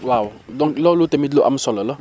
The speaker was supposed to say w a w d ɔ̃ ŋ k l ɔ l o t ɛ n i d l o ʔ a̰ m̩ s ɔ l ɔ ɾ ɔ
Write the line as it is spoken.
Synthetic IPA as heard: w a w d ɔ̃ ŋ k l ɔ l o t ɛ m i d l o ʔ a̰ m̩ s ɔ l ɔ l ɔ